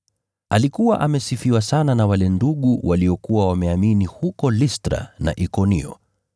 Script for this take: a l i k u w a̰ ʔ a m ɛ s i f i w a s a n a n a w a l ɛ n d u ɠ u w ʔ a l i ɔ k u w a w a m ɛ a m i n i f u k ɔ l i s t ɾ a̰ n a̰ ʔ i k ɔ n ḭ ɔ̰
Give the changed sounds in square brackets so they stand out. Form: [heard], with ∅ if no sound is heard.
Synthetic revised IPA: a l i k u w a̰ ʔ a m ɛ s i f i w a s a n a n a w a l ɛ n d u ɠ u w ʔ a l i ɔ k u w a w a m ɛ a m i n i [h] u k ɔ l i s t ɾ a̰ n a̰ ʔ i k ɔ n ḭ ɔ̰